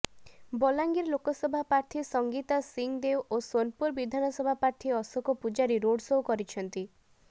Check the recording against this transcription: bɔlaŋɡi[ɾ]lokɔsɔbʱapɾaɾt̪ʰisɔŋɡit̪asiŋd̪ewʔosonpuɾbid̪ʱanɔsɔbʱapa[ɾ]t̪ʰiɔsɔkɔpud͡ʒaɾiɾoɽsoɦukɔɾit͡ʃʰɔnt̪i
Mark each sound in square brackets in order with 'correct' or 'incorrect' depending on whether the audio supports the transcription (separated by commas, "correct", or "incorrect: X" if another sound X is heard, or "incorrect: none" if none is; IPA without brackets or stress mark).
correct, correct